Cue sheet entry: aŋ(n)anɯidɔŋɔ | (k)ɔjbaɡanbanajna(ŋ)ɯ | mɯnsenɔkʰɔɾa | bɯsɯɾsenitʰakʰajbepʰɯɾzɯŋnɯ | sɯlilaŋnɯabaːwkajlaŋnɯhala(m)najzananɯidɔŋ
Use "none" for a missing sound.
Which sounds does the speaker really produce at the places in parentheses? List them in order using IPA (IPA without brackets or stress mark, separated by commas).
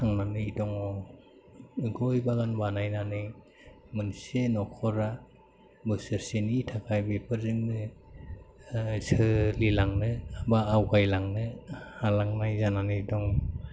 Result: n, ɡ, n, ŋ